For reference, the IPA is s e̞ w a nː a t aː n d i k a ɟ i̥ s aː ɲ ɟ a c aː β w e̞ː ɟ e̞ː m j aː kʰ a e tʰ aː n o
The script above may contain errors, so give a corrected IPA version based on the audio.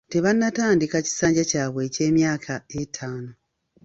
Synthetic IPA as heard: t e̞ β a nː a t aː n d i k a c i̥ s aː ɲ ɟ a c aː β w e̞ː c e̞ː m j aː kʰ a e tʰ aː n o